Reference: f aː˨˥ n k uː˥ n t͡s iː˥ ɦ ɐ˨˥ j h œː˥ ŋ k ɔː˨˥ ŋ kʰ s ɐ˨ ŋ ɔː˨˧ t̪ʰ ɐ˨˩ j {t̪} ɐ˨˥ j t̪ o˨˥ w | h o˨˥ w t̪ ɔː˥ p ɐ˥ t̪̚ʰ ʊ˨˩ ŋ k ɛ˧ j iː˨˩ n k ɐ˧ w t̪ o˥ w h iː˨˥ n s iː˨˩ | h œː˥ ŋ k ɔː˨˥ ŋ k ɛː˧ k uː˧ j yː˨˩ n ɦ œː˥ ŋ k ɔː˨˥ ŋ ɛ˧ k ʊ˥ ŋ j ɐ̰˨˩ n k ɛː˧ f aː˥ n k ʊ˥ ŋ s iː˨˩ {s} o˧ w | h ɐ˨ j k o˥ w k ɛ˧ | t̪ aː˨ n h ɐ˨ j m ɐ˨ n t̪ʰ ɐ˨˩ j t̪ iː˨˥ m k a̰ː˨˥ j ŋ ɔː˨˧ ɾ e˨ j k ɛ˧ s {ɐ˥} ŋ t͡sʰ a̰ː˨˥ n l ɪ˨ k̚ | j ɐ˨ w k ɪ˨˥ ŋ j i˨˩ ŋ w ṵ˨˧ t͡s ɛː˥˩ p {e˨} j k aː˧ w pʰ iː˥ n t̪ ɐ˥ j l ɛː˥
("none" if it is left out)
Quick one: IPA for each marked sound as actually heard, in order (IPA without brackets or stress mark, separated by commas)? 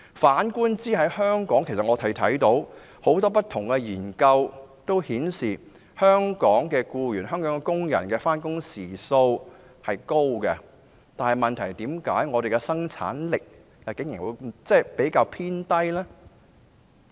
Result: t̪ʰ, s, ɐ˥, e˨˥